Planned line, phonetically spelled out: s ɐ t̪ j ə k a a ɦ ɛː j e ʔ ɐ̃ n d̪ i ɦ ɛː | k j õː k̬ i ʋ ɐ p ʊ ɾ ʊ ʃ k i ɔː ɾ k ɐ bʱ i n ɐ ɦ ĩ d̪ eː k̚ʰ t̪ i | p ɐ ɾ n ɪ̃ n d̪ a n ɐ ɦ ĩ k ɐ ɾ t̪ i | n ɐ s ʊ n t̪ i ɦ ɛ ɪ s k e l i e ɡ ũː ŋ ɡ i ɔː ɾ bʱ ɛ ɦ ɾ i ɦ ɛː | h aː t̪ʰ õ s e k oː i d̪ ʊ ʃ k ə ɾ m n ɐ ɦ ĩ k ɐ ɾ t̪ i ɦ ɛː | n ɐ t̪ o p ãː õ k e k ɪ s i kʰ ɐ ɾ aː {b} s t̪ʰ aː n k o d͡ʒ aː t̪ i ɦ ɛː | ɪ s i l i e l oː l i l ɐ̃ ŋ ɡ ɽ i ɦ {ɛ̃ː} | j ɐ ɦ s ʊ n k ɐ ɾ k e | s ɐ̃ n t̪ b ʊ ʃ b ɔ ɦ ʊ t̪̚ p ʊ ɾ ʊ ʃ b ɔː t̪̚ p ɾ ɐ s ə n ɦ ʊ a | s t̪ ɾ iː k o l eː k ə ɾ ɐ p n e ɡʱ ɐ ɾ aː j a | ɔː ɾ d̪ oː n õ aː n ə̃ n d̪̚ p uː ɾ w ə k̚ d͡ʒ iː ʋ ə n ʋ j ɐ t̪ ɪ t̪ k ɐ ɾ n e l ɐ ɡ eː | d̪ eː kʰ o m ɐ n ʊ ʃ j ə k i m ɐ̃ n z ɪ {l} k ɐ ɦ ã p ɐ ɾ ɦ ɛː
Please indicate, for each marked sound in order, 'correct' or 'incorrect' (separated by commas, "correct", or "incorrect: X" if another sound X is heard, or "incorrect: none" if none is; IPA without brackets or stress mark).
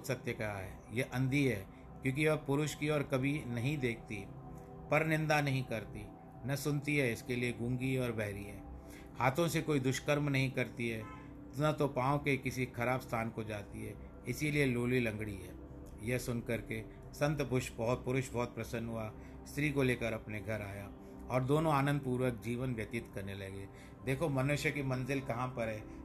correct, incorrect: ɛː, correct